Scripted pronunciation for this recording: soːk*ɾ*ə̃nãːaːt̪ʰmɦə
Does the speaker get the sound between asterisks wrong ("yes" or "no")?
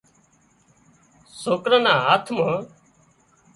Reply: no